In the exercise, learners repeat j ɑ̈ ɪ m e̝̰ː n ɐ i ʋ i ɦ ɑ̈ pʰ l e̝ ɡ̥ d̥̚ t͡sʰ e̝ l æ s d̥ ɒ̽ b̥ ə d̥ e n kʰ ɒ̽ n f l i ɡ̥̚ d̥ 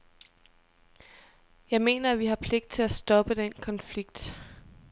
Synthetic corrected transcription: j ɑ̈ ɪ m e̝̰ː n ɐ æ ʋ i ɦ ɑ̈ pʰ l e̝ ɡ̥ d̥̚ t͡sʰ e̝ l æ s d̥ ɒ̽ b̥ ə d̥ e n kʰ ɒ̽ n f l i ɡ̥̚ d̥